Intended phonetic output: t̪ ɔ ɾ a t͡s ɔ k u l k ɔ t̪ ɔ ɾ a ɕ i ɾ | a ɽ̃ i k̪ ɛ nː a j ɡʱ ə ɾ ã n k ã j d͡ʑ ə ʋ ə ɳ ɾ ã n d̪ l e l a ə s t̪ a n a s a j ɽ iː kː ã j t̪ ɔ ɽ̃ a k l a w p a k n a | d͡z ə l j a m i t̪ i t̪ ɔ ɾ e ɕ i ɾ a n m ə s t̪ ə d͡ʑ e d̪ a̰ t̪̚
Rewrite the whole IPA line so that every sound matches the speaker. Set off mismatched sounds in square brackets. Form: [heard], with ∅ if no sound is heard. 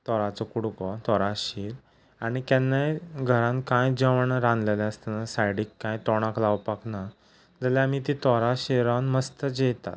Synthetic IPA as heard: t̪ ɔ ɾ a t͡s ɔ k u [ɽ] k ɔ t̪ ɔ ɾ a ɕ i ɾ | a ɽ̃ i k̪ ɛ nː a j ɡʱ ə ɾ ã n k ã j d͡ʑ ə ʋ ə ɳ ɾ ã n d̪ l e l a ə s t̪ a n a s a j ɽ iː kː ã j t̪ ɔ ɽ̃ a k l a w p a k n a | d͡z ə l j a m i t̪ i t̪ ɔ ɾ [a] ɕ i ɾ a n m ə s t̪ ə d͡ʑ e [t̪] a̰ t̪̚